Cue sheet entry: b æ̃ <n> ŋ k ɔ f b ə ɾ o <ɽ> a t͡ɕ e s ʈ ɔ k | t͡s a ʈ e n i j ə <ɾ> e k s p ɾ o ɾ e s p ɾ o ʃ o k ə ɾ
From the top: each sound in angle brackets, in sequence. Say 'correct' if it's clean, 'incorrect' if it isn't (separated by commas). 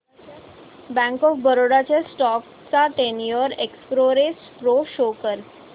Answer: incorrect, correct, correct